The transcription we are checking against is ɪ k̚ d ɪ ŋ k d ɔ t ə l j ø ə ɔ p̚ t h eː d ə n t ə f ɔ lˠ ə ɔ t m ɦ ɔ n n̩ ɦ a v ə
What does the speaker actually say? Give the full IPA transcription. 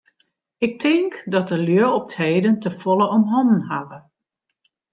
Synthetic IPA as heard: ɪ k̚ t ɪ ŋ k d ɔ t ə l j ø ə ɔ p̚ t h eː d ə n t ə f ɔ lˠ ə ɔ m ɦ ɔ n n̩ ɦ a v ə